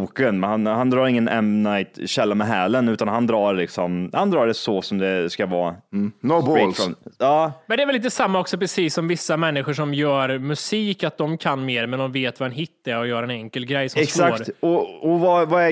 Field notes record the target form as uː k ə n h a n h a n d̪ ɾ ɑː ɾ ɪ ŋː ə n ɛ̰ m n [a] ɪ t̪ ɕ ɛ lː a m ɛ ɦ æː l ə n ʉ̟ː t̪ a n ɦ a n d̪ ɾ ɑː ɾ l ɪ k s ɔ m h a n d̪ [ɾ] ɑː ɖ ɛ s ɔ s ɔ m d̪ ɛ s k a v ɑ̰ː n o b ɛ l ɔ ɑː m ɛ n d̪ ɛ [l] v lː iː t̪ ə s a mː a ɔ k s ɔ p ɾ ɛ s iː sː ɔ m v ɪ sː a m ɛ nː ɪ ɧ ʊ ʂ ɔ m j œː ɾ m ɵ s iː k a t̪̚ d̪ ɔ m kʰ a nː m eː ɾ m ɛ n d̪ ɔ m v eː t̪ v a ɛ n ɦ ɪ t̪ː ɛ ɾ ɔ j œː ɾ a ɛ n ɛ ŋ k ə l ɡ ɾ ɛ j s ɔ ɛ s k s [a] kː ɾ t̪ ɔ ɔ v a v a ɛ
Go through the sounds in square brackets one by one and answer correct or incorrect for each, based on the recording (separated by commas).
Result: correct, correct, incorrect, correct